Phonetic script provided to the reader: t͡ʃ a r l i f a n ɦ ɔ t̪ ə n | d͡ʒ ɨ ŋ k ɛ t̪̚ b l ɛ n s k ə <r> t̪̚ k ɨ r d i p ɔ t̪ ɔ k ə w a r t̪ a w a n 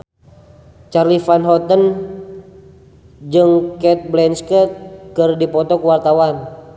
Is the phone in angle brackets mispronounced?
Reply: yes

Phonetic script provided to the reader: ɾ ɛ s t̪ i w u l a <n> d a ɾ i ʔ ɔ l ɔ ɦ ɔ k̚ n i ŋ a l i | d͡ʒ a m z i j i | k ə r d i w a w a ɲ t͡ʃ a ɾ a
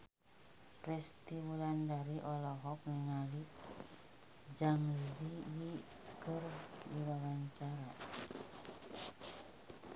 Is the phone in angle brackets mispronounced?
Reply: no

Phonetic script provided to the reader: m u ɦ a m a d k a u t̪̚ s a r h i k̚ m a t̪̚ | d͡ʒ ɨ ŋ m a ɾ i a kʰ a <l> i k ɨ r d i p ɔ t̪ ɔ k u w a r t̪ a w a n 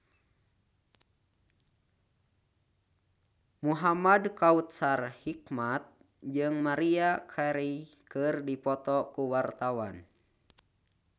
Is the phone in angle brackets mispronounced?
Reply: yes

